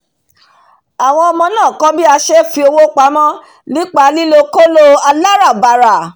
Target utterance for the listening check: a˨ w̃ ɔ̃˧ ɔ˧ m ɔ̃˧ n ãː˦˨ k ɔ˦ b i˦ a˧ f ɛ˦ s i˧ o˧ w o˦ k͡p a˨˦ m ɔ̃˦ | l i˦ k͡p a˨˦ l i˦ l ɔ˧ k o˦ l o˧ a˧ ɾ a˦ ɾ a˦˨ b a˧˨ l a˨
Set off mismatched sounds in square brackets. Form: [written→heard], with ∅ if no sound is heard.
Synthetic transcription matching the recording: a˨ w̃ ɔ̃˧ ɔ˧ m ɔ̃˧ n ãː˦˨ k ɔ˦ b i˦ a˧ [f→ʃ] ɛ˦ [s→f] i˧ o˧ w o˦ k͡p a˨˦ m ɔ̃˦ | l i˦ k͡p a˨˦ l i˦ l [ɔ˧→o˧] k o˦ l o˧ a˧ [ɾ→l] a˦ ɾ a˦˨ b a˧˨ [l→ɾ] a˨